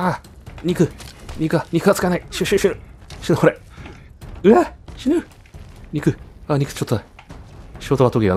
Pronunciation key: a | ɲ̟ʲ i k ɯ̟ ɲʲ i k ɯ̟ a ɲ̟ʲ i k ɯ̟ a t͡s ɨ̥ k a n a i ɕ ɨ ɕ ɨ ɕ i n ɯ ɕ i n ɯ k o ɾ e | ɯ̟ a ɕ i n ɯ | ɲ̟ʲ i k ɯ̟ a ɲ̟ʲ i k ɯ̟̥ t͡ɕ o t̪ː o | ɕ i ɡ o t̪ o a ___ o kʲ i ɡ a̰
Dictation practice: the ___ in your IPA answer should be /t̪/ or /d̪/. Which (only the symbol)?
t̪